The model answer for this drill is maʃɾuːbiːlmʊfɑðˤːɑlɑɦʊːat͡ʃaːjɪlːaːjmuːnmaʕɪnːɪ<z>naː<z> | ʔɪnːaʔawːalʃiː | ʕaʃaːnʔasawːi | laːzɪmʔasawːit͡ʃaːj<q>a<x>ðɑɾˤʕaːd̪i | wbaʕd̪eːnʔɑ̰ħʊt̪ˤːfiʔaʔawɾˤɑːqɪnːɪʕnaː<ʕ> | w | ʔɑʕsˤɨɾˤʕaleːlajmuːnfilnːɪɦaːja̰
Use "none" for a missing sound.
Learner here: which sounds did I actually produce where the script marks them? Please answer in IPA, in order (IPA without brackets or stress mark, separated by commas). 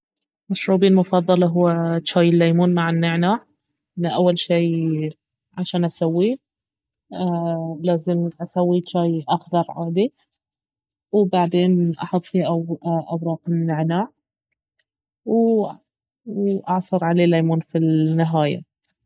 ʕ, ʕ, ʔ, x, ʕ